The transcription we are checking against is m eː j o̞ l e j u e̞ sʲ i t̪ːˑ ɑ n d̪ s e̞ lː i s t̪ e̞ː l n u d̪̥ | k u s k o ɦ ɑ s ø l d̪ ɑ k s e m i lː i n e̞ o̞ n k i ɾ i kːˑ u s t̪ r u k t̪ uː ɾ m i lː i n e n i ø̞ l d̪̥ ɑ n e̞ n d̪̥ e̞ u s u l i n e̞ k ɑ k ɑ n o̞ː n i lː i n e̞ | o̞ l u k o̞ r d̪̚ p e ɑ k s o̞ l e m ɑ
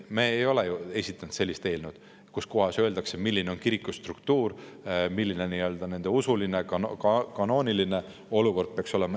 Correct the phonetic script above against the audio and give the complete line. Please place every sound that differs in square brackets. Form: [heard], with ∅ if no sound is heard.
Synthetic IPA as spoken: m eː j o̞ l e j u e̞ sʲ i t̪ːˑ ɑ n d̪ s e̞ lː i s t̪ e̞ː l n u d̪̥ | k u s k o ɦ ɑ s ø l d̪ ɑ k s e m i lː i n e̞ o̞ n k i ɾ i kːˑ u s t̪ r u k t̪ uː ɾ m i lː i n e n i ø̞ l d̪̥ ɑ n e̞ n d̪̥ e̞ u s u l i n e̞ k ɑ k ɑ n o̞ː n i [l] i n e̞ | o̞ l u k o̞ r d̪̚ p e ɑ k s o̞ l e m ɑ